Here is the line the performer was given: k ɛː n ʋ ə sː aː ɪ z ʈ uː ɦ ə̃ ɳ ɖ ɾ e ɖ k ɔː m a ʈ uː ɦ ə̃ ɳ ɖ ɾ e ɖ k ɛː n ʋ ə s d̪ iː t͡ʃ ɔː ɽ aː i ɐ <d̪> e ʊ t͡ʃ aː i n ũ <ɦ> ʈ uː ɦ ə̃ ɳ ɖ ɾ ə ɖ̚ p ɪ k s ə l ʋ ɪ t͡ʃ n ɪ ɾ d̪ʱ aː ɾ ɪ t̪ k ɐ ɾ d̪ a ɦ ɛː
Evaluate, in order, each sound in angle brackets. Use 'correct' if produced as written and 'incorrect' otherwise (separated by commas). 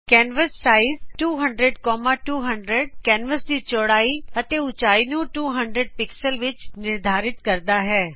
incorrect, incorrect